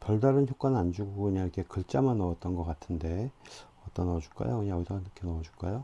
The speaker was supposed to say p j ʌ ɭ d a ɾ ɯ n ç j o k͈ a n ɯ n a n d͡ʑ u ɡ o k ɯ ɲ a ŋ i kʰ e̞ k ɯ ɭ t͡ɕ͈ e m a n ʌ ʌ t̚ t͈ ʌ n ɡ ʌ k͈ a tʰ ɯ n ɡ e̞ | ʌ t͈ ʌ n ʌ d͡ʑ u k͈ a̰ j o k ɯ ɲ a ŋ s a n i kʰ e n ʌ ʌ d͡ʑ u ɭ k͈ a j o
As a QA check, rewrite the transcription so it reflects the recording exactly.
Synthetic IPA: p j ʌ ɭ d a ɾ ɯ n ç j o k͈ a n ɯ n a n d͡ʑ u ɡ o k ɯ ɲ a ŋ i kʰ e̞ k ɯ ɭ t͡ɕ͈ a m a n ʌ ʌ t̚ t͈ ʌ n ɡ ʌ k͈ a tʰ ɯ n d e̞ | ʌ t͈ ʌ n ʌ d͡ʑ u k͈ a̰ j o k ɯ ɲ a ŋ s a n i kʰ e n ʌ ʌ d͡ʑ u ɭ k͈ a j o